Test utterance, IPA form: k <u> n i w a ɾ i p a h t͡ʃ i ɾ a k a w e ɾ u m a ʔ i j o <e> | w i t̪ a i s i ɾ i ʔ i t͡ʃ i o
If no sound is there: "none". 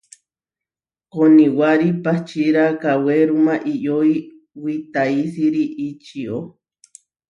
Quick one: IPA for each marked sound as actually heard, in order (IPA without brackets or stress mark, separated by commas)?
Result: o, i